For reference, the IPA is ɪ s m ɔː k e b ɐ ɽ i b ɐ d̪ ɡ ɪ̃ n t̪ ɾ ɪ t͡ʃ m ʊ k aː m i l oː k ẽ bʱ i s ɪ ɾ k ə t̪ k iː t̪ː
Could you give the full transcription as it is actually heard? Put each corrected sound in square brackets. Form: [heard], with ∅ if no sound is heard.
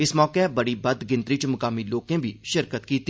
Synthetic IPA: ɪ s m ɔː k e b ɐ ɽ i b ɐ d̪ ɡ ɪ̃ n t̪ ɾ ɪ t͡ʃ m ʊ k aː m i l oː k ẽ bʱ i [ʃ] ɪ ɾ k ə t̪ k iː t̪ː